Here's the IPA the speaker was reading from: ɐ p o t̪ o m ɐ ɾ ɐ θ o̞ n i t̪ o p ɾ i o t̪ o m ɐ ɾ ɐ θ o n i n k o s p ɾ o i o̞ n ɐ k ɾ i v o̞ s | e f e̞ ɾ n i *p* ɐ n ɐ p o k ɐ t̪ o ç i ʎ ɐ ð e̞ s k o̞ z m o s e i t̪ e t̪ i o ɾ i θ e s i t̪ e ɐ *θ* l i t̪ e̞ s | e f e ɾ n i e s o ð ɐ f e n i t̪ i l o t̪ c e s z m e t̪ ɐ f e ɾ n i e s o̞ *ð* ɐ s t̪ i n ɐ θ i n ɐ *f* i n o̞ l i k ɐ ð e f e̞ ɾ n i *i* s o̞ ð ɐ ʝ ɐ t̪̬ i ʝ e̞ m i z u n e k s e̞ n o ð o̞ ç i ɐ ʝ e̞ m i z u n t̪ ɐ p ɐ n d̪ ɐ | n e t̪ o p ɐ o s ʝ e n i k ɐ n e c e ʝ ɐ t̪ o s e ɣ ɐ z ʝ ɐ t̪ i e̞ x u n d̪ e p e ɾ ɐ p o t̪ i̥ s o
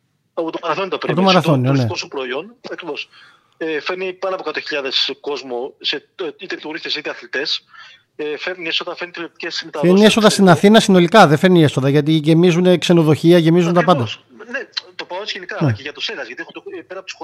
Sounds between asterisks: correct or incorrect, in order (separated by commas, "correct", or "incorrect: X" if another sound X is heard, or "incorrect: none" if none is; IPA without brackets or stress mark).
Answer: correct, correct, correct, incorrect: s, incorrect: e